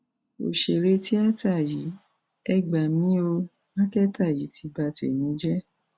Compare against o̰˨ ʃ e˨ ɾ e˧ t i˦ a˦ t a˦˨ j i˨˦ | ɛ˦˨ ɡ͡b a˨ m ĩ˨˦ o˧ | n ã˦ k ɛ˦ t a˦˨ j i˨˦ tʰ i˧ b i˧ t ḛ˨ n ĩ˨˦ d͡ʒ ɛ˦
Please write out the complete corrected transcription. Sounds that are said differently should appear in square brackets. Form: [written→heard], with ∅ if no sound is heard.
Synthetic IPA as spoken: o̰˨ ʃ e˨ ɾ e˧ t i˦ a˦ t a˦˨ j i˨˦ | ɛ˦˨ ɡ͡b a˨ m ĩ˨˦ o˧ | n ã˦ k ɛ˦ t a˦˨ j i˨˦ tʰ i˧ b [i˧→a˧] t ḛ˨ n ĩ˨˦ d͡ʒ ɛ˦